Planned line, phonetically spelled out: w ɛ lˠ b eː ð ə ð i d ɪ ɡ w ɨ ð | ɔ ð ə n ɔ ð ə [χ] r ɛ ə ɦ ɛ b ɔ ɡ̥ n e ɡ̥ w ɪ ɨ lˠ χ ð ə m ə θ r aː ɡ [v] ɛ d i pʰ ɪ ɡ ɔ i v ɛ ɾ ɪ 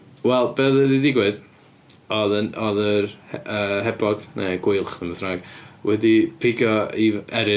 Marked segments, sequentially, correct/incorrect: incorrect: none, incorrect: w

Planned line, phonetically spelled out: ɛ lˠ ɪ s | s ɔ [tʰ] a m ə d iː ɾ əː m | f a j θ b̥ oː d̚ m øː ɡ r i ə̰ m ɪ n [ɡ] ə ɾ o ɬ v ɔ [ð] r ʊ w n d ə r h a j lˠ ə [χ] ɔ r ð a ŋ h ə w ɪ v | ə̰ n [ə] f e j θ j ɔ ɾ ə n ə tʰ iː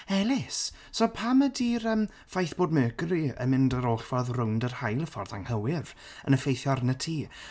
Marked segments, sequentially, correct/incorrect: incorrect: pʰ, incorrect: d, correct, incorrect: f, correct

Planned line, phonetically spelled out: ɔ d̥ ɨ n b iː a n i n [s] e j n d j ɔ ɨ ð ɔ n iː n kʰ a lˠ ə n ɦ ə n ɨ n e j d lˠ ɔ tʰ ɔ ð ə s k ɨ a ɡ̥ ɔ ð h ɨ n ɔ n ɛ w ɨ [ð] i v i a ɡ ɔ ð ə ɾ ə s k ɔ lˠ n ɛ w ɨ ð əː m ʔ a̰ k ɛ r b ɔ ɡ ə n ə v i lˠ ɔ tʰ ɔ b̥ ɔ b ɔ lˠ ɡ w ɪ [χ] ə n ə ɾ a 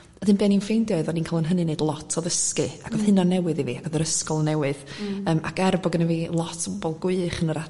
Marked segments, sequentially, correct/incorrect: incorrect: f, correct, correct

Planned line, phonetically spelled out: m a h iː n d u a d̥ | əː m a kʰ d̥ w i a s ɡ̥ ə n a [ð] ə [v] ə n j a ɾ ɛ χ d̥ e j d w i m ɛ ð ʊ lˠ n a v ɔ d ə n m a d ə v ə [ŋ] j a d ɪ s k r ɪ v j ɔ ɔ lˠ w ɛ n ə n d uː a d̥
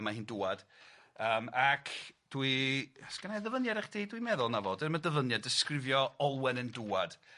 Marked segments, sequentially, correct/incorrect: correct, correct, incorrect: n

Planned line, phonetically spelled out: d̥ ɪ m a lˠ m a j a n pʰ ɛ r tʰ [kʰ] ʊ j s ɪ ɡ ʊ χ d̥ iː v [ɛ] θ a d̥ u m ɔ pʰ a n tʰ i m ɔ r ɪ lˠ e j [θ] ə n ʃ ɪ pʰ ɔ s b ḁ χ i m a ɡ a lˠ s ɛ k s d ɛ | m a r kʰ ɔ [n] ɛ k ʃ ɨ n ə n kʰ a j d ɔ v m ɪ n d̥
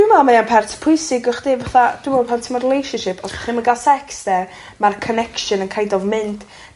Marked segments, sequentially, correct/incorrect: incorrect: pʰ, incorrect: a, incorrect: ʃ, correct

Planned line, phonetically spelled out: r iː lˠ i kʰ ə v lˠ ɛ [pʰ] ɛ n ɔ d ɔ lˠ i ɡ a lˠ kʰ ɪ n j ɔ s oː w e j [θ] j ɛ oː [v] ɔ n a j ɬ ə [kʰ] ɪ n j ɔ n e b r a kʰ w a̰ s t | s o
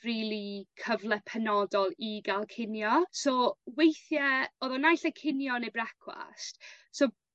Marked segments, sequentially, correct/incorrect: correct, correct, incorrect: ð, correct

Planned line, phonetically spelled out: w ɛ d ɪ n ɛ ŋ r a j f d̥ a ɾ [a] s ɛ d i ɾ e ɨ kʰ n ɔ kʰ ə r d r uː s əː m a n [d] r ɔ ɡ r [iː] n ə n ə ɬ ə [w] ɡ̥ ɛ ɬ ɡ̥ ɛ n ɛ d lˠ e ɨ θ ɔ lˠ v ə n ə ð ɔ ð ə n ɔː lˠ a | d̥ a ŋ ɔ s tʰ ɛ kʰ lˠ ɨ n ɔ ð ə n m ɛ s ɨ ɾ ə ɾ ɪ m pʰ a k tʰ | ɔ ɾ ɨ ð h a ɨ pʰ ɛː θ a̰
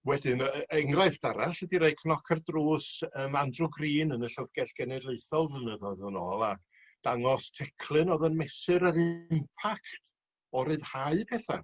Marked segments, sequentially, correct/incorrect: correct, correct, correct, incorrect: v

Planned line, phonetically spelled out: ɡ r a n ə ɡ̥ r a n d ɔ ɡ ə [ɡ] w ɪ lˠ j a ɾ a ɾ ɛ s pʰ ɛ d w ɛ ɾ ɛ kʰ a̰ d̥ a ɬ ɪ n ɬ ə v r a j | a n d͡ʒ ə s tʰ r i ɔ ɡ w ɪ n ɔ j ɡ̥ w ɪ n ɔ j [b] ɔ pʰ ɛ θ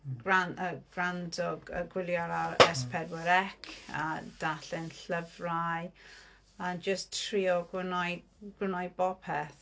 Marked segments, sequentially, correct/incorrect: correct, correct

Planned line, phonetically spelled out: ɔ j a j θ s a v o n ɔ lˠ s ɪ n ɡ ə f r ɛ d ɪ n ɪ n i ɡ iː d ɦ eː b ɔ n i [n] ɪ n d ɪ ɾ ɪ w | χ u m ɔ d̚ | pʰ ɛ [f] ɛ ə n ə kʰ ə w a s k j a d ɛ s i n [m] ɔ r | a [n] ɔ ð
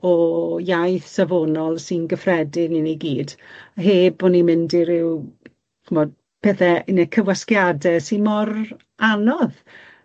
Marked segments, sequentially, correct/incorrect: incorrect: m, incorrect: θ, correct, correct

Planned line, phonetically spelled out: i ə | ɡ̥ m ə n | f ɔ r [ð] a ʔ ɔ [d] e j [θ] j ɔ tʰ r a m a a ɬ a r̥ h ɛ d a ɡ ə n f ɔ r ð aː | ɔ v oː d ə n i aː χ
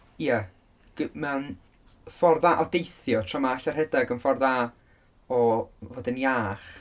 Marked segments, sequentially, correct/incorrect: correct, correct, correct

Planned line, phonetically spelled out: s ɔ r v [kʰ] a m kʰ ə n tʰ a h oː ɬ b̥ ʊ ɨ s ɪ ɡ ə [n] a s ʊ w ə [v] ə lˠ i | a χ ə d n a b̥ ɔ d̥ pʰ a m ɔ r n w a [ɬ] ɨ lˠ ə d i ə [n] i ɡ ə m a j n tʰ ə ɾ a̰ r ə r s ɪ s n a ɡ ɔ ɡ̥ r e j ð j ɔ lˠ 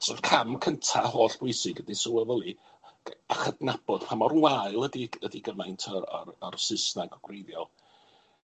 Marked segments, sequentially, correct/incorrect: correct, incorrect: d, correct, incorrect: none, incorrect: d

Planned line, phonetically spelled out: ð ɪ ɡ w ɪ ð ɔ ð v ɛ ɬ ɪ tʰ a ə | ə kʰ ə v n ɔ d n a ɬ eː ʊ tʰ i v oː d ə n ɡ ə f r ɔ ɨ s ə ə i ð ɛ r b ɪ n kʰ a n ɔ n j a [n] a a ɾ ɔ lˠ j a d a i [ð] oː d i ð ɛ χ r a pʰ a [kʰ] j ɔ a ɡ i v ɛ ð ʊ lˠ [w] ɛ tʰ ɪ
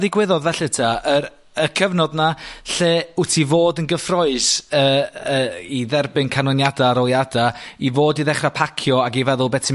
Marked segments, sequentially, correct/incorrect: incorrect: d, incorrect: v, correct, incorrect: b

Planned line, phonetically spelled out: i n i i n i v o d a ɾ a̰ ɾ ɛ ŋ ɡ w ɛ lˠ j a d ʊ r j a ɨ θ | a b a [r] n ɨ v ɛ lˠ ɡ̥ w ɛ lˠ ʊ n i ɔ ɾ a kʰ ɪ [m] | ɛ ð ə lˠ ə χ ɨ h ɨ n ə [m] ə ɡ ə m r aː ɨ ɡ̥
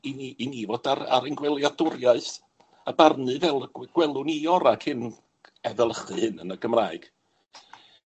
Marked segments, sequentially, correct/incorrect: correct, incorrect: n, incorrect: n

